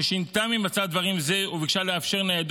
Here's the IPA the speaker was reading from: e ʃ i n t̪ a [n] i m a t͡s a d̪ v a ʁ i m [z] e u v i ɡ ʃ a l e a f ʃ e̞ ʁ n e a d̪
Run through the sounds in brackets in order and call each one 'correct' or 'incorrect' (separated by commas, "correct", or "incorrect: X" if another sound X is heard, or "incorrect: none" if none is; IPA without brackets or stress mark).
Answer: incorrect: m, correct